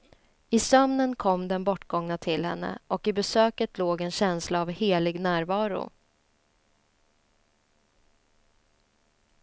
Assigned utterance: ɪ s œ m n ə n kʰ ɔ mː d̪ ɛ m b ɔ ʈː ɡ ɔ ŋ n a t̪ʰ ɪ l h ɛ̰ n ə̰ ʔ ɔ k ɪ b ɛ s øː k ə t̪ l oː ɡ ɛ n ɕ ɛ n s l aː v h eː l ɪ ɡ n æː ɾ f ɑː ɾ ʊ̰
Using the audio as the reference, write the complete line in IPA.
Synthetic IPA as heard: ɪ s œ m n ə n kʰ ɔ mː d̪ ɛ n b ɔ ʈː ɡ ɔ ŋ n a t̪ʰ ɪ l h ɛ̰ nː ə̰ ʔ ɔ k ɪ b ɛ s øː k ə t̪ l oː ɡ ɛ n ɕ ɛ n s l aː v h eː l ɪ ɡ n æː ɾ v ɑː ɾ ʊ̰